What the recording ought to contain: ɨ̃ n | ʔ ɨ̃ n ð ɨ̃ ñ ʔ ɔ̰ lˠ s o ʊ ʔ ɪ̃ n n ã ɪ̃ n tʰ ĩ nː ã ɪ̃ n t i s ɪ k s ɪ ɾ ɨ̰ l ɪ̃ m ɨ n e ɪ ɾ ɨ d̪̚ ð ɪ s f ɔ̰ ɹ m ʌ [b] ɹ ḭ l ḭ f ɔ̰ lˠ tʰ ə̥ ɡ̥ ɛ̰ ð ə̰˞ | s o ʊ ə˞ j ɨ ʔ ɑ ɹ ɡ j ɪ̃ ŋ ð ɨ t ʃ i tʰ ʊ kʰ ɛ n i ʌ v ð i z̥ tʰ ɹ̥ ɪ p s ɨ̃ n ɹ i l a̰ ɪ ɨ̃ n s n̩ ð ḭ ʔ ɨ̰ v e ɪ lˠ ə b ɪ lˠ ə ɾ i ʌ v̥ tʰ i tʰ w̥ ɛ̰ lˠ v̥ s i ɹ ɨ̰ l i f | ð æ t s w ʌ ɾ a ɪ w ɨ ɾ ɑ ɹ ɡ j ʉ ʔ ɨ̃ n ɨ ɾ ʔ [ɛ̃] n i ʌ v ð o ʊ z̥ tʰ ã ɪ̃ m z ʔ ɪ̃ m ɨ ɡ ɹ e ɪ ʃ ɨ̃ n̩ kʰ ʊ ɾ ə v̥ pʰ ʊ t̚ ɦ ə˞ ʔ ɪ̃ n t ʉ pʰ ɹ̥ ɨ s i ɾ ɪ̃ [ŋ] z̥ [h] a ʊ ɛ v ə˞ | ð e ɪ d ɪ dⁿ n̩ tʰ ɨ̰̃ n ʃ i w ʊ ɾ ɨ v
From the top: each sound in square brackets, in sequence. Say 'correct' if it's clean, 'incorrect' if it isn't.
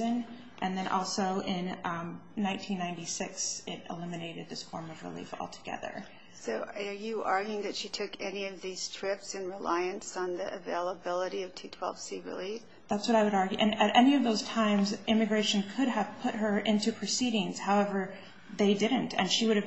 incorrect: v, incorrect: ɛ, correct, correct

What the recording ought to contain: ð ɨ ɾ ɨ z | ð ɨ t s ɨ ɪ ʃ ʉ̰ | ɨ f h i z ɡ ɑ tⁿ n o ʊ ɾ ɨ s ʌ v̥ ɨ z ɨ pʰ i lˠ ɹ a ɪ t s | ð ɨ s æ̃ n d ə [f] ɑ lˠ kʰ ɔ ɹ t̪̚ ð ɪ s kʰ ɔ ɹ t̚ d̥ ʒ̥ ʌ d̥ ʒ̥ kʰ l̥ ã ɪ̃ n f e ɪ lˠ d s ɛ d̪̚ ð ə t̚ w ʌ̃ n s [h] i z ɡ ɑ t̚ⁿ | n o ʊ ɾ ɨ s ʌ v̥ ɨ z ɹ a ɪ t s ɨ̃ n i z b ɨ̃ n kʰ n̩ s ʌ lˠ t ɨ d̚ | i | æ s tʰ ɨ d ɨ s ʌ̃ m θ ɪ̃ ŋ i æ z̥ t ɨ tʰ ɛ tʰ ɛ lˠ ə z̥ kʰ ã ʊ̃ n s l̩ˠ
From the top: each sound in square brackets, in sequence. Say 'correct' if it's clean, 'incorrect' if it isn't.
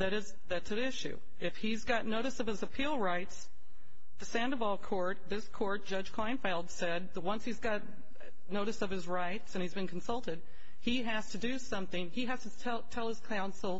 incorrect: v, correct

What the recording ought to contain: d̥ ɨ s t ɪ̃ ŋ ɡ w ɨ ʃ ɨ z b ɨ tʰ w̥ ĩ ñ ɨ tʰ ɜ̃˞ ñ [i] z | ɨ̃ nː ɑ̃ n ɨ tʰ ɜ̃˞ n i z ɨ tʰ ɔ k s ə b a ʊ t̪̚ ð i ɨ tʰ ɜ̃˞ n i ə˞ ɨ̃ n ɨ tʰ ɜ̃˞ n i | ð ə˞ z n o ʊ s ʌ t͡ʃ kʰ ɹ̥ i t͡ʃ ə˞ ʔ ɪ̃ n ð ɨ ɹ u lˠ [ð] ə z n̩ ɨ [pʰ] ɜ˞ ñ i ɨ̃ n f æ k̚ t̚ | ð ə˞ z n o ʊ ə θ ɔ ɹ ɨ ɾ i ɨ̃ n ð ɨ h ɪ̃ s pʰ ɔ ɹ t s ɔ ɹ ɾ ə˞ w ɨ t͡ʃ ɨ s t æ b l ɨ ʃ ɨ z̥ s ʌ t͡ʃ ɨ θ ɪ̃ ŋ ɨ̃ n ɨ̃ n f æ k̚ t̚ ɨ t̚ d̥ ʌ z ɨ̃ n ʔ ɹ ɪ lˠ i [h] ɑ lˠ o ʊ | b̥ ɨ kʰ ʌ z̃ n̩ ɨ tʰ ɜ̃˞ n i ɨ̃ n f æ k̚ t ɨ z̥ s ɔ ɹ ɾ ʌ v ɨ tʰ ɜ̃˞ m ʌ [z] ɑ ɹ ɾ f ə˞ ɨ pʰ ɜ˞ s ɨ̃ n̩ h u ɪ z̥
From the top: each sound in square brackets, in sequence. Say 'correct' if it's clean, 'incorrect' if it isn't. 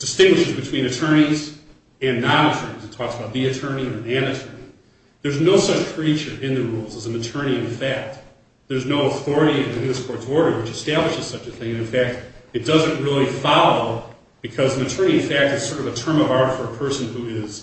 correct, incorrect: z, incorrect: tʰ, incorrect: f, incorrect: v

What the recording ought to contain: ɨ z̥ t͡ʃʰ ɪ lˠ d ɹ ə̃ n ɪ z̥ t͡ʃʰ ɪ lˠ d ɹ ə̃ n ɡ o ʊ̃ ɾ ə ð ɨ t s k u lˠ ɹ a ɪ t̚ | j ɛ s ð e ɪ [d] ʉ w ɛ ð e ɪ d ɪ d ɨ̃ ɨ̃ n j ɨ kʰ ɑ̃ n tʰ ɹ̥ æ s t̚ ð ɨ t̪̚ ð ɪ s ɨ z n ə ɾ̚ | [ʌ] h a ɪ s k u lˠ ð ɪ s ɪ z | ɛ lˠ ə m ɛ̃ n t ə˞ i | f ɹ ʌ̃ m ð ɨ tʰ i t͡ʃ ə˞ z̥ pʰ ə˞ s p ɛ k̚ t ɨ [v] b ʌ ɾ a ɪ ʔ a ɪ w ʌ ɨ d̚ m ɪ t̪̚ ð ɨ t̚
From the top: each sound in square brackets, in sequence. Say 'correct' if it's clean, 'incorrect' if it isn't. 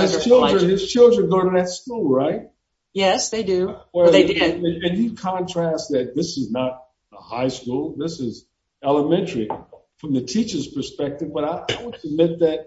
correct, incorrect: ə, correct

